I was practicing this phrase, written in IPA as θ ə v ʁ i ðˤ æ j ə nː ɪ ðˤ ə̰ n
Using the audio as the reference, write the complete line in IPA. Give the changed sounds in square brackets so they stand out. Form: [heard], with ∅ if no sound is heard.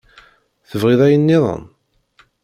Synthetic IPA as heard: θ ə v ʁ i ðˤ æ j ə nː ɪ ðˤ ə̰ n